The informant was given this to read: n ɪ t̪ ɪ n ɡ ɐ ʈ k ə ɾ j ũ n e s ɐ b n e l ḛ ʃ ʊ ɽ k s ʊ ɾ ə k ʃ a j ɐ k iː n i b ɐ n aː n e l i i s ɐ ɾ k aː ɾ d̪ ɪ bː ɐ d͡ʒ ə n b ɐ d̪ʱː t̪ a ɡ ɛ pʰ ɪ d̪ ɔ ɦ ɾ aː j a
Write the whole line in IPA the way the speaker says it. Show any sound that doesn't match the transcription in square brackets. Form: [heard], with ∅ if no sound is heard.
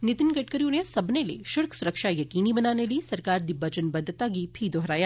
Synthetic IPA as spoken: n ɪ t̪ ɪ n ɡ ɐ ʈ k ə ɾ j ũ n e s ɐ b n e l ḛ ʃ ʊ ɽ k s ʊ ɾ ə k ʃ a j ɐ k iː n i b ɐ n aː n e l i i s ɐ ɾ k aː ɾ d̪ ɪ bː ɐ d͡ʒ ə n b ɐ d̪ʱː t̪ a ɡ [i] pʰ [i] d̪ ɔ ɦ ɾ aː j a